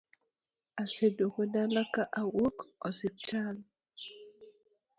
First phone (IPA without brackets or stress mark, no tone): a